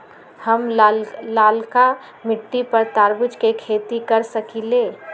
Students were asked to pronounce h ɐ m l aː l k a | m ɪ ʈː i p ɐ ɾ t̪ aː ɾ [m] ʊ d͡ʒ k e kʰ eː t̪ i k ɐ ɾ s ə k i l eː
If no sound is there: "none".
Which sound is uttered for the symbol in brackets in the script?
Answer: b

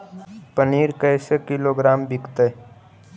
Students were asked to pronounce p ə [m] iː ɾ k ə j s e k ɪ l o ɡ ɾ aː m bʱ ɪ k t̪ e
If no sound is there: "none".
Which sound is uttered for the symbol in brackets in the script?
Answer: n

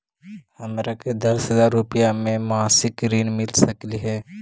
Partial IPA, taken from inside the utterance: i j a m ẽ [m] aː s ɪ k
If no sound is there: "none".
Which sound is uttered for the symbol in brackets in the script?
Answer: m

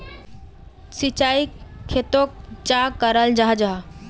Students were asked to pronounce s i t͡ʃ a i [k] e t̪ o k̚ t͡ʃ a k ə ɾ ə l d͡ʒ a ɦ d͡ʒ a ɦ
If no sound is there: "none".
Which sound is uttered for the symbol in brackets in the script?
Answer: kʰ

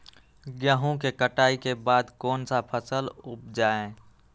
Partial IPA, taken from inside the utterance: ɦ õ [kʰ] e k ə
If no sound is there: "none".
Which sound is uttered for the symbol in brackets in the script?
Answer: k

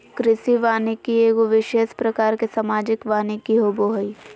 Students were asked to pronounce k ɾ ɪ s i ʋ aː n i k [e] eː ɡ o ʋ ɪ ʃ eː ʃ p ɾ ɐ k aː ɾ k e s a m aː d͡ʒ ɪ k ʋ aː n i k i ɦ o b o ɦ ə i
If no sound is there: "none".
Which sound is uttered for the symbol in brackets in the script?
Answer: i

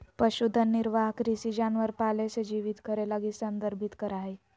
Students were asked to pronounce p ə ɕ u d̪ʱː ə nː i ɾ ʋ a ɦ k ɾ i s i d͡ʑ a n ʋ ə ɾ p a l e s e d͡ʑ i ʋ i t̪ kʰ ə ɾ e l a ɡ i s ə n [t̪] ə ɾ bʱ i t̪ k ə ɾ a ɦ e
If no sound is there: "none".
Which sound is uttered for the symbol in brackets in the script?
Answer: d̪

